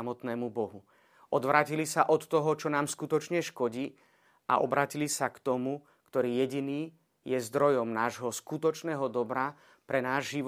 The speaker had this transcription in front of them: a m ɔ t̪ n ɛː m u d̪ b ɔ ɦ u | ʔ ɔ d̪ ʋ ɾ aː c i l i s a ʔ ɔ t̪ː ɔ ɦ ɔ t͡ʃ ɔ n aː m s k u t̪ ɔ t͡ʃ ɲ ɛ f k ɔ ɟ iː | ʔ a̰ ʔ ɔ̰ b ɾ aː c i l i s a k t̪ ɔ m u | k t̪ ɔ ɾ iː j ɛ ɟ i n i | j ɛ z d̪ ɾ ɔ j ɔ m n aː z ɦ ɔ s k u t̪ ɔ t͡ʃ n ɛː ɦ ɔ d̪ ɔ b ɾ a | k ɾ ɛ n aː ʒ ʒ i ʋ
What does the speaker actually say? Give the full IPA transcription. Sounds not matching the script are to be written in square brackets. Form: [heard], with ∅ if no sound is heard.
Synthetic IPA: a m ɔ t̪ n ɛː m u [∅] b ɔ ɦ u | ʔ ɔ d̪ ʋ ɾ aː c i l i s a ʔ ɔ t̪ː ɔ ɦ ɔ t͡ʃ ɔ n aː m s k u t̪ ɔ t͡ʃ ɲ ɛ [ʃ] k ɔ ɟ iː | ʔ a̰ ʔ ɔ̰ b ɾ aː c i l i s a k t̪ ɔ m u | k t̪ ɔ ɾ iː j ɛ ɟ i n [iː] | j ɛ z d̪ ɾ ɔ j ɔ m n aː [ʒ] ɦ ɔ s k u t̪ ɔ t͡ʃ n ɛː ɦ ɔ d̪ ɔ b ɾ a | [p] ɾ ɛ n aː ʒ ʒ i ʋ